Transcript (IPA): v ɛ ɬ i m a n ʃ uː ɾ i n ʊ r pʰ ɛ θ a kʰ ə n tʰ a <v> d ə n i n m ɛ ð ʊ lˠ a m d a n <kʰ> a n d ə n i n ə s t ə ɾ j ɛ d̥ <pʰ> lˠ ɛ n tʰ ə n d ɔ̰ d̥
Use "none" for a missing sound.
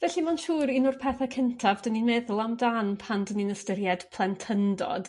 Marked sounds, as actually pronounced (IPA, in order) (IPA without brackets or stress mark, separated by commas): v, pʰ, pʰ